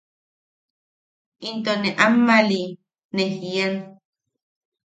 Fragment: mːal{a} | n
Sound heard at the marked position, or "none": i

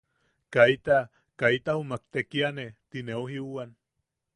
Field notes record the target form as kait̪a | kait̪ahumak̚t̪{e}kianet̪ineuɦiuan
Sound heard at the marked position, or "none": e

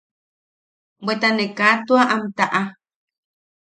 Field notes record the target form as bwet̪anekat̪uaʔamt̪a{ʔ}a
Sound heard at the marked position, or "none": ʔ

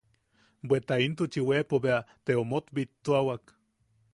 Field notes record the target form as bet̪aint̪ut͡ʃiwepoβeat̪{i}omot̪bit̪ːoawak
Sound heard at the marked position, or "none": e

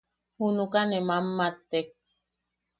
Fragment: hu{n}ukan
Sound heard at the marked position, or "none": n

